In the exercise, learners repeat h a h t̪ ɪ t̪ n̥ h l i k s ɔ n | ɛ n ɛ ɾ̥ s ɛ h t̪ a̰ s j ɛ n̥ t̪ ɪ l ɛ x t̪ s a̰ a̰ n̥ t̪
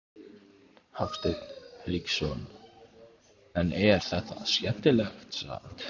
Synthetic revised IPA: h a f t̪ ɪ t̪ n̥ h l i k s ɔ n | ɛ n ɛ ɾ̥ θ ɛ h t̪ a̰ s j ɛ n̥ t̪ ɪ l ɛ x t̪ s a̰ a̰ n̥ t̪